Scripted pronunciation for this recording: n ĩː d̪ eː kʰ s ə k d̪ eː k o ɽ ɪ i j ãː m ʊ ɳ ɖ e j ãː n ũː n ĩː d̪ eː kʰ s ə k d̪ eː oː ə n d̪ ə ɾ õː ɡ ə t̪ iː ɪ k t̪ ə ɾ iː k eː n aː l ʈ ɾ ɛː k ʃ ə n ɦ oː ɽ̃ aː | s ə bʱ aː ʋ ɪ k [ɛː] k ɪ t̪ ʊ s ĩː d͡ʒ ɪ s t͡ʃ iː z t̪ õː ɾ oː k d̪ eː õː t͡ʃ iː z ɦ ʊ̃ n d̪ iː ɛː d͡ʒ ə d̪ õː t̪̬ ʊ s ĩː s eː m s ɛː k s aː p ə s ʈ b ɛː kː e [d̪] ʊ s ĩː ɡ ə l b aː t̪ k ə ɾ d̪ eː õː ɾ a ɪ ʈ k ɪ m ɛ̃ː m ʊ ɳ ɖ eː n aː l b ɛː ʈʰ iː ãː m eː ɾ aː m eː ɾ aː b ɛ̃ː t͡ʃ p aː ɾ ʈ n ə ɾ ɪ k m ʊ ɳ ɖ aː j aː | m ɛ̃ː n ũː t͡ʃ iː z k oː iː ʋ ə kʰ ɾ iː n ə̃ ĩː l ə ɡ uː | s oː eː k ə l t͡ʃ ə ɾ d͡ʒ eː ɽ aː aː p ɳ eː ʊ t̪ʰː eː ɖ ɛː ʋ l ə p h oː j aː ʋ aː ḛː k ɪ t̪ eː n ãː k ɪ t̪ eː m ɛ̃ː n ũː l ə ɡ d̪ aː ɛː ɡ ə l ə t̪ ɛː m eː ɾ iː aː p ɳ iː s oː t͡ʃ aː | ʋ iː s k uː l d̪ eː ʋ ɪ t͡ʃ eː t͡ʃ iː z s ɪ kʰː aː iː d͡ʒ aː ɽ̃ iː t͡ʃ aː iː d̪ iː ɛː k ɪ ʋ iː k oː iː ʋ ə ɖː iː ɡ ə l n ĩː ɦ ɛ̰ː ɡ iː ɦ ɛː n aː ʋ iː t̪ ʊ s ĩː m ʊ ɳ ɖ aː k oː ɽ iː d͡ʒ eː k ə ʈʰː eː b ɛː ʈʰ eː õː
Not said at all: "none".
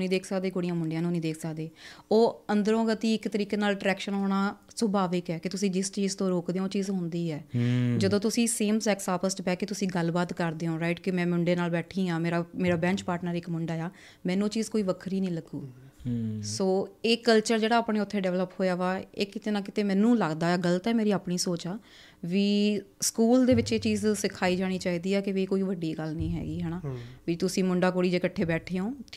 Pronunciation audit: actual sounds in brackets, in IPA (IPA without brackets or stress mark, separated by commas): ɛː, t̪